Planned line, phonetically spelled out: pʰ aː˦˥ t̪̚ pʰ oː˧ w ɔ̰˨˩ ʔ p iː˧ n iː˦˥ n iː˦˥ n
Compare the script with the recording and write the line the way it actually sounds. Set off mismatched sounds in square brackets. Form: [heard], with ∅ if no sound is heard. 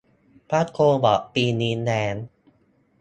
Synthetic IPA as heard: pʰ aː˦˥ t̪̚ [kʰ] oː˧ [b] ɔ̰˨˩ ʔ p iː˧ n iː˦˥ n [ɛː˦˥] n